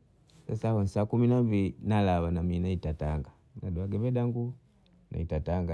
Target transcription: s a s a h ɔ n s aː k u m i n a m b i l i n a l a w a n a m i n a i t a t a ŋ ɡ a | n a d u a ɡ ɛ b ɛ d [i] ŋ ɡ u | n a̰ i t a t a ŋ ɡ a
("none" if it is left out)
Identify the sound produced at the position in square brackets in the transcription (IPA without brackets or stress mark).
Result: a